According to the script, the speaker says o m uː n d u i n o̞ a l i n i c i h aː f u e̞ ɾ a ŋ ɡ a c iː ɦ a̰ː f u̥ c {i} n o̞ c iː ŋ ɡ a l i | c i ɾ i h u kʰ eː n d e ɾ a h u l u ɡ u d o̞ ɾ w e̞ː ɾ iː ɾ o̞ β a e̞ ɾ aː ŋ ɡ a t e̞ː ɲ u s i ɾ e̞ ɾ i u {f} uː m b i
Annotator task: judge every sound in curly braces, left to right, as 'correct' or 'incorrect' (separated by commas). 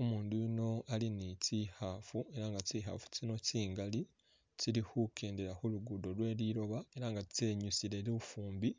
correct, correct